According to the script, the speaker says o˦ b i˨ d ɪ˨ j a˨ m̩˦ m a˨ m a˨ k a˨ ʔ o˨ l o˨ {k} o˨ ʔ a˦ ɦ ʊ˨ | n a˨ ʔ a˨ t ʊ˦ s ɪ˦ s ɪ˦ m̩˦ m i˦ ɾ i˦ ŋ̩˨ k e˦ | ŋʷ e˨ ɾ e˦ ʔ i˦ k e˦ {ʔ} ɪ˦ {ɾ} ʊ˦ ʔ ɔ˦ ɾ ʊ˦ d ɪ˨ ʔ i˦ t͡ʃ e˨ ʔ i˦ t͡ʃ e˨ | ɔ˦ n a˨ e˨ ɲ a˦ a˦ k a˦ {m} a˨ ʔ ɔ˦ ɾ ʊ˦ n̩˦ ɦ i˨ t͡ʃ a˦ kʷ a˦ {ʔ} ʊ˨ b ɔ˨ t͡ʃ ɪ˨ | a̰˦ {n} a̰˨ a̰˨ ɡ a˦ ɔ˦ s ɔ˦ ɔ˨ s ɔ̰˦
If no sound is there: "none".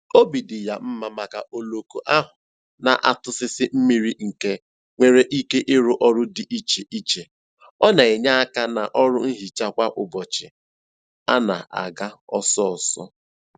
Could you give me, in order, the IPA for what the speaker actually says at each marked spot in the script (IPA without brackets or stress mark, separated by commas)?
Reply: k, ʔ, ɾ, n, ʔ, n